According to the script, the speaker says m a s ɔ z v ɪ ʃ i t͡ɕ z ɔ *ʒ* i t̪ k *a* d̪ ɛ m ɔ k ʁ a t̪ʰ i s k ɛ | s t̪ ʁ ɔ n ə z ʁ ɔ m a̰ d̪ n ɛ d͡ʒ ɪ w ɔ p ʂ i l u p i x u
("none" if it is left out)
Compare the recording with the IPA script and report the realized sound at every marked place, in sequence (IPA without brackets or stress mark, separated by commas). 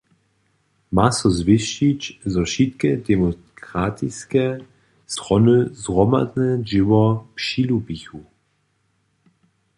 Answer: ʃ, ɛ